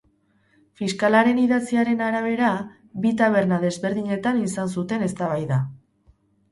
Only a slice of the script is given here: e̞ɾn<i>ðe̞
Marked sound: incorrect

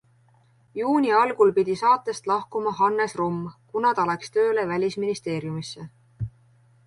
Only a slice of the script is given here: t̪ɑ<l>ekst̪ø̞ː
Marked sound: correct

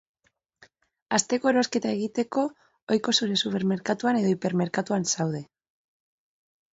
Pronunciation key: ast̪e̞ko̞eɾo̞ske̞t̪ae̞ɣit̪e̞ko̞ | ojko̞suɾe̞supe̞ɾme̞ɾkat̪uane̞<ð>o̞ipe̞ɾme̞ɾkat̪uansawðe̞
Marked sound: correct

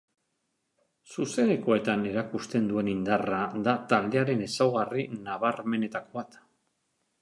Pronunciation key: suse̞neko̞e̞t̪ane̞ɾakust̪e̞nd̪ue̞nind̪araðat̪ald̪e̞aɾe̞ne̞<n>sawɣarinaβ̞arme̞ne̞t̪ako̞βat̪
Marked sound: incorrect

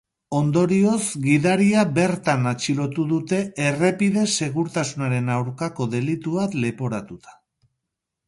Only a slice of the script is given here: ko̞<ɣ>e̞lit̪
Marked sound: incorrect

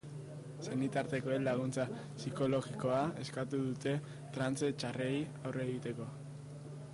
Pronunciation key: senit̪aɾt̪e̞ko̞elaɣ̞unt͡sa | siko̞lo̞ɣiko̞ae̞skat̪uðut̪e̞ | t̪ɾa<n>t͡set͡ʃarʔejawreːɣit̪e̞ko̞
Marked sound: correct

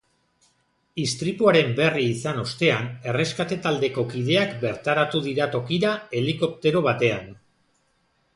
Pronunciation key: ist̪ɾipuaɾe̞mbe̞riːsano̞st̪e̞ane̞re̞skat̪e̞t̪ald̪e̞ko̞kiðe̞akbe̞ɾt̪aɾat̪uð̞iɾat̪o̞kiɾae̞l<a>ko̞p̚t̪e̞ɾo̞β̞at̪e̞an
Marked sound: incorrect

